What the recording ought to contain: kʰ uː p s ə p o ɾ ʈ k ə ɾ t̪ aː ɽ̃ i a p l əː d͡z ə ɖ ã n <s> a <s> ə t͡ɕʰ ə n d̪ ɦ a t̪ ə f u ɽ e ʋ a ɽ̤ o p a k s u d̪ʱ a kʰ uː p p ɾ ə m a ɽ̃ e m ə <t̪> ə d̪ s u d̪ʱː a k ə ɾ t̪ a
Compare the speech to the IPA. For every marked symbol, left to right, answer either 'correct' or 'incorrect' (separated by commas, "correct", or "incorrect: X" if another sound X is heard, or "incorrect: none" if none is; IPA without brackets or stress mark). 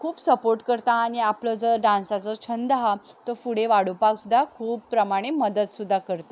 correct, incorrect: t͡s, incorrect: d̪